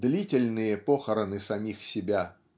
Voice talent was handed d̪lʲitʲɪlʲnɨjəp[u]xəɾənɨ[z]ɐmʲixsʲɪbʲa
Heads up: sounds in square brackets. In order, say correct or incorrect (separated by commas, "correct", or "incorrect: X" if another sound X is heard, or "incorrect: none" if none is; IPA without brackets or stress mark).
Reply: incorrect: o, incorrect: s